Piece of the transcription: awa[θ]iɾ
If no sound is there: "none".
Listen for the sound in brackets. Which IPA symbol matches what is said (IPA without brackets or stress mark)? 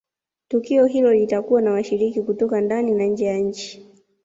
ʃ